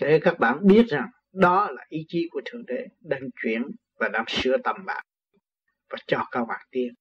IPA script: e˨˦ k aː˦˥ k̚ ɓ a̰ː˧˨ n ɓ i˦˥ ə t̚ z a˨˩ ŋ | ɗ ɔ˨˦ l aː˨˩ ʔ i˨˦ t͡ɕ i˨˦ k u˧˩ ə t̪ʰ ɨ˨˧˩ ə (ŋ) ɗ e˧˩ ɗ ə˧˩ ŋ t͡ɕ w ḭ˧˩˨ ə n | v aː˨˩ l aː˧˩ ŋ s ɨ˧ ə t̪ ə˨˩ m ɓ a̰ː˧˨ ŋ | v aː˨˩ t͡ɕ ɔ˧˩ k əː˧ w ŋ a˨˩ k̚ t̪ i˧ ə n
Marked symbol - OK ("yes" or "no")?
yes